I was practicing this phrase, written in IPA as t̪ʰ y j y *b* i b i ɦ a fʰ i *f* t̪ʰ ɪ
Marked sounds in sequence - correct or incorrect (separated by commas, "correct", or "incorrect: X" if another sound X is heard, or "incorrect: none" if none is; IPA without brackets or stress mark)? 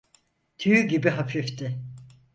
incorrect: ɟ, correct